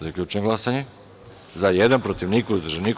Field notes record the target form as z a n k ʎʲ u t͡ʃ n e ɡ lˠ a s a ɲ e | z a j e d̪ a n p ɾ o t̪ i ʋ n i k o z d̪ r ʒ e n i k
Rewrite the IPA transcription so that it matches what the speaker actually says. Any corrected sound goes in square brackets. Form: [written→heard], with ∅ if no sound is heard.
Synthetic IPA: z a [n→∅] k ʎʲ u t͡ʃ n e ɡ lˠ a s a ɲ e | z a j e d̪ a n p ɾ o t̪ i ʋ n i k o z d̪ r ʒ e n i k